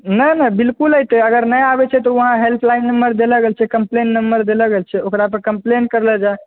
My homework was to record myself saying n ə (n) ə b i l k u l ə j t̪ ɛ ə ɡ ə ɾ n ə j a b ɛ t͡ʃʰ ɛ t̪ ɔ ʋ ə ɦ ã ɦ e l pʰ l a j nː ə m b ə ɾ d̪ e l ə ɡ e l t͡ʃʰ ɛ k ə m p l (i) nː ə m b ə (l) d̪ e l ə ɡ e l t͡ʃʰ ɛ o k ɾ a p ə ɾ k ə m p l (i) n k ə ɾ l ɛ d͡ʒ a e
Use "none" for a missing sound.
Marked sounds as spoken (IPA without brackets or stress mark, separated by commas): n, e, ɾ, e